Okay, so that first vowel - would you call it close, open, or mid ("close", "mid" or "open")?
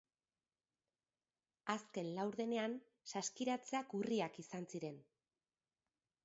open